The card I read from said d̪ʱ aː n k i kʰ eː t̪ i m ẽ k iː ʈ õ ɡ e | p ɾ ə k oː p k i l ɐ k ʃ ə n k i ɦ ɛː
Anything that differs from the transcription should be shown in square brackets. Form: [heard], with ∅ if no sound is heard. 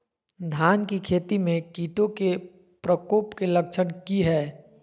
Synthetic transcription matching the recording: d̪ʱ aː n k i kʰ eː t̪ i m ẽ k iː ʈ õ [k] e | p ɾ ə k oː p k [e] l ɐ k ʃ ə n k i ɦ ɛː